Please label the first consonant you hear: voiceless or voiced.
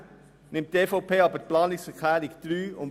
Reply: voiced